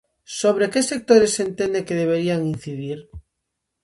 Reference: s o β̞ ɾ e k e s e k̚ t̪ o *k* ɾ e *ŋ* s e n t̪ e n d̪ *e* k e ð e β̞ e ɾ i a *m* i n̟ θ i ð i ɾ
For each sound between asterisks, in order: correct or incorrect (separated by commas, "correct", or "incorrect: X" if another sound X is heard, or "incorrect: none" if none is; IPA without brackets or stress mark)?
incorrect: none, incorrect: none, correct, incorrect: ŋ